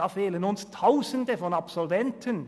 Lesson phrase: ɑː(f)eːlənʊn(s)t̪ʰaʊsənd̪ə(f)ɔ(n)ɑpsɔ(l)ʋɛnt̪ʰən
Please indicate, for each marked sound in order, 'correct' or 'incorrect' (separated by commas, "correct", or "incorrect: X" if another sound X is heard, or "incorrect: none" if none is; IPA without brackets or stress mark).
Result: correct, correct, correct, correct, correct